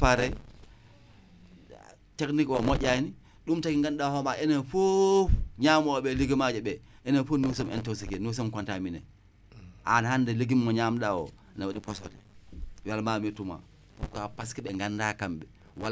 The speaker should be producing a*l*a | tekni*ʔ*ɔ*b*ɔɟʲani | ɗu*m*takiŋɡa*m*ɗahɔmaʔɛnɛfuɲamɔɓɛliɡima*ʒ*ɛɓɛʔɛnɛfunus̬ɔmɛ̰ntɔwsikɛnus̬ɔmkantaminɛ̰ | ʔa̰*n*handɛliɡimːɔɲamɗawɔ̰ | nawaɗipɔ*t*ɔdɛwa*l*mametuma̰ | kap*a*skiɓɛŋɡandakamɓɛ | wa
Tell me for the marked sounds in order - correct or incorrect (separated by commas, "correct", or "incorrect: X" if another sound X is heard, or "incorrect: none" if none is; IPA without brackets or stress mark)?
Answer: incorrect: ɾ, incorrect: k, incorrect: m, correct, incorrect: n, incorrect: d͡ʒ, correct, incorrect: s, correct, correct